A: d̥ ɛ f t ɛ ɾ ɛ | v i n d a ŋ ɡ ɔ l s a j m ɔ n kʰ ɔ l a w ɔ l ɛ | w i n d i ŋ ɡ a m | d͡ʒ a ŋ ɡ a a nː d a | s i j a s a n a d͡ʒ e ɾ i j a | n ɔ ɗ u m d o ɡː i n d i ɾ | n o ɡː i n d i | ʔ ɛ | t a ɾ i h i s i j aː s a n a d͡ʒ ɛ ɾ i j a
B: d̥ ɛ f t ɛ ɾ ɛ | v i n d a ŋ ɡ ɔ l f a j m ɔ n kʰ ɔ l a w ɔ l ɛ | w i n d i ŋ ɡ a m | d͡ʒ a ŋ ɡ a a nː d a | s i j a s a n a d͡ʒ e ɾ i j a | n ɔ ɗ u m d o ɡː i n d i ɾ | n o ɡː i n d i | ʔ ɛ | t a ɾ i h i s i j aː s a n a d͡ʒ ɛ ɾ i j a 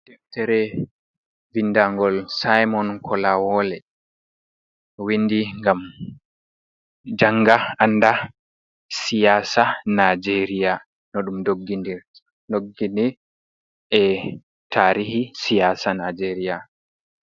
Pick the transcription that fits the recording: A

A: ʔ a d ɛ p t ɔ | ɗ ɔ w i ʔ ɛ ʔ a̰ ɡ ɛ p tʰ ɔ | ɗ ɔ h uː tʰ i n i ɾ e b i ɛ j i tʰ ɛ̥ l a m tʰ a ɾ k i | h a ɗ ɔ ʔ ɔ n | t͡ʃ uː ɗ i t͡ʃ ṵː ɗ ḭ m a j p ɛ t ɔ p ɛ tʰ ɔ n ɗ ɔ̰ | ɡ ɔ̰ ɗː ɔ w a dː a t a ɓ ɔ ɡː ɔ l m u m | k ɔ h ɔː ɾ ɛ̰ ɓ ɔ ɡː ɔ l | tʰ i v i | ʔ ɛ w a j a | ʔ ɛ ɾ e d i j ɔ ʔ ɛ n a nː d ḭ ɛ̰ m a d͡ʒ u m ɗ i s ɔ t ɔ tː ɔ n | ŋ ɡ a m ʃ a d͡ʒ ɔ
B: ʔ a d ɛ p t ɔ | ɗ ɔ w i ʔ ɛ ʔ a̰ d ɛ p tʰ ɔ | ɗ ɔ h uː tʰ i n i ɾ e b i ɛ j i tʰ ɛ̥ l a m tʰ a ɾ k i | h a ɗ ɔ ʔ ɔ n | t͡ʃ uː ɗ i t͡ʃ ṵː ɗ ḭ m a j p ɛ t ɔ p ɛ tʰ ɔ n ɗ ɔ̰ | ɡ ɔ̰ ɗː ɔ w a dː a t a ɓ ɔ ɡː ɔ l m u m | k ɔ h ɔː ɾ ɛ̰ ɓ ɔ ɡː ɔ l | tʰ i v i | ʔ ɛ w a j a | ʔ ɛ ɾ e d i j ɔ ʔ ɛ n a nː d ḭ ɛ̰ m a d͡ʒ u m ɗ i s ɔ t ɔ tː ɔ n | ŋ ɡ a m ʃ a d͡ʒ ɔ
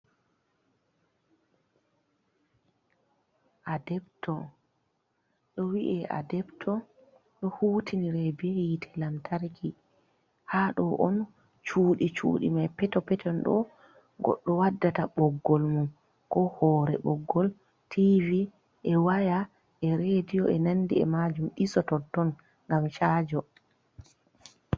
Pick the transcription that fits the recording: B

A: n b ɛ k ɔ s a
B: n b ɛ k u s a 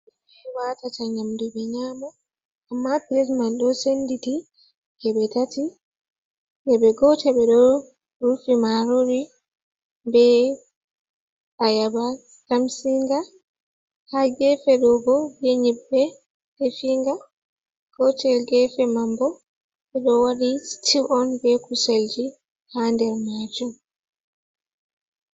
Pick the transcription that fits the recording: B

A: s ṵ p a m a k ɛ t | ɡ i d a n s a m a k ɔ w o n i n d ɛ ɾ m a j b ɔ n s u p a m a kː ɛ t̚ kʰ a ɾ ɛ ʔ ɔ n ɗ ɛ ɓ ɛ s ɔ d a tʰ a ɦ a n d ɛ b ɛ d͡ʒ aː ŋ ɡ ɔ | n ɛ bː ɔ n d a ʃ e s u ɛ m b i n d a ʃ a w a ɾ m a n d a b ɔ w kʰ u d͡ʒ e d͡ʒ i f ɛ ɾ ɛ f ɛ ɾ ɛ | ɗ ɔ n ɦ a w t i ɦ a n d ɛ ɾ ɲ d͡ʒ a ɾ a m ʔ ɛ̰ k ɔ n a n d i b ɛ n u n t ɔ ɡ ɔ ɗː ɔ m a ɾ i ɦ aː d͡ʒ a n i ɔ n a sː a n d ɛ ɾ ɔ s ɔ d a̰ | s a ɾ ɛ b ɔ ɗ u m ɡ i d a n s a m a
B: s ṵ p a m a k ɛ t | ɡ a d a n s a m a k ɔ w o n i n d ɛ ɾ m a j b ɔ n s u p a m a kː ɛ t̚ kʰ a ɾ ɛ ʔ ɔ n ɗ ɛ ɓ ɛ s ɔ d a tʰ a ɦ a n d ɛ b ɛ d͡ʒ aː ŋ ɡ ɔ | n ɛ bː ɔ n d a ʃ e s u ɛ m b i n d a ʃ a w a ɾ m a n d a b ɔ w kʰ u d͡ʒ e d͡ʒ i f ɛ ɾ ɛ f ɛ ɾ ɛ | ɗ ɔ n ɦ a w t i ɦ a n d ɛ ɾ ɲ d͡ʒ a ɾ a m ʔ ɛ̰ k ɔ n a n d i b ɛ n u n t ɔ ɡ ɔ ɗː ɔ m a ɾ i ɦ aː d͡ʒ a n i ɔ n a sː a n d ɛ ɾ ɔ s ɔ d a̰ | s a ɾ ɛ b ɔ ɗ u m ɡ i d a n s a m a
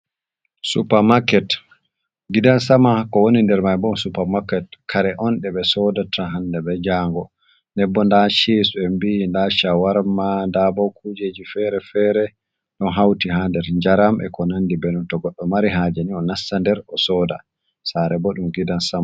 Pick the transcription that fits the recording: A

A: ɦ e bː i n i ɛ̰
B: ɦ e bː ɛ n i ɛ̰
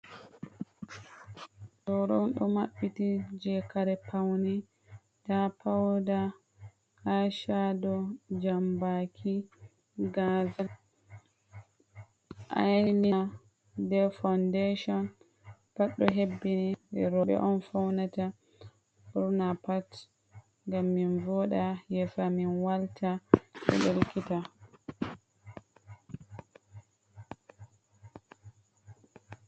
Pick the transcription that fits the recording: A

